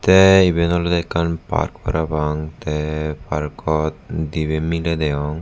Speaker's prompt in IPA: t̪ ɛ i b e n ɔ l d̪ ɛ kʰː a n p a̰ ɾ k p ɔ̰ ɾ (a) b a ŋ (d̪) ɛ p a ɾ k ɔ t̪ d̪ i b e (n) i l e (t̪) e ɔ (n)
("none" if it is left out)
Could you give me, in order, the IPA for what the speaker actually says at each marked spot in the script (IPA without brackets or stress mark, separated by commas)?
a, t̪, m, d̪, ŋ